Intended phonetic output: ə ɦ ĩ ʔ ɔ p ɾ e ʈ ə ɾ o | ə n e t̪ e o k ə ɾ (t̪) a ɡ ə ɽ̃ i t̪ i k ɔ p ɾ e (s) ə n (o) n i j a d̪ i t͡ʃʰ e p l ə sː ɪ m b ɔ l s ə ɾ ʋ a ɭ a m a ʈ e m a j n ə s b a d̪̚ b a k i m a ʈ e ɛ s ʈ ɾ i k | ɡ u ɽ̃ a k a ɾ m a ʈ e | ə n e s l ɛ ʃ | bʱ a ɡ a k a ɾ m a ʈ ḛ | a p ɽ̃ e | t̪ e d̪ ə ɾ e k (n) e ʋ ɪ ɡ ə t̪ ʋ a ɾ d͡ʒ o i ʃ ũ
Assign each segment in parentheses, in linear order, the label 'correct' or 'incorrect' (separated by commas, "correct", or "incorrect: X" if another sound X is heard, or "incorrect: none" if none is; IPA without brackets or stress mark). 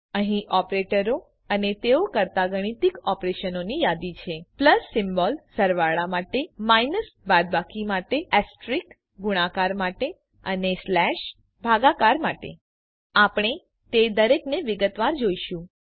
correct, incorrect: ʃ, correct, correct